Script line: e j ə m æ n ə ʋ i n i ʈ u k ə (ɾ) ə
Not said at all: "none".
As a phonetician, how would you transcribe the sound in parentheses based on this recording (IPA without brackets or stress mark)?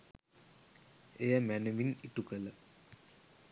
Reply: l